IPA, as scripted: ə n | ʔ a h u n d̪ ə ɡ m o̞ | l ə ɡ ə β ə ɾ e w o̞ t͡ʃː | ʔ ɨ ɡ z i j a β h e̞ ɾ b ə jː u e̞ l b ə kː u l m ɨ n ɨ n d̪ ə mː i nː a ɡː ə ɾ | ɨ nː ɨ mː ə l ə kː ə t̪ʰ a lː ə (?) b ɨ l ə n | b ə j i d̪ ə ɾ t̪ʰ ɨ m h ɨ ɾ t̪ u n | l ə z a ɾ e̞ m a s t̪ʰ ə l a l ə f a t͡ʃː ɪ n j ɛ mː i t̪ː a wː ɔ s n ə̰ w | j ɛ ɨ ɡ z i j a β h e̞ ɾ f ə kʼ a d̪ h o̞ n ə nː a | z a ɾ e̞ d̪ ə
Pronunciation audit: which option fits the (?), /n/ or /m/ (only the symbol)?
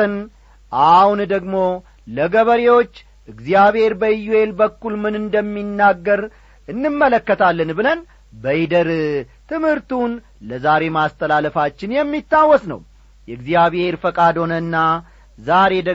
n